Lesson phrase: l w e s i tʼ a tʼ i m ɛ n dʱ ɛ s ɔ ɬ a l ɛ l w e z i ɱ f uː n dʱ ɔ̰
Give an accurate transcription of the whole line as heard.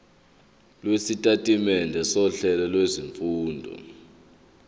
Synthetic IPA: l w e s i tʼ a tʼ i m ɛ n dʱ ɛ s ɔ ɬ ɛ l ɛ l w e z i ɱ f uː n dʱ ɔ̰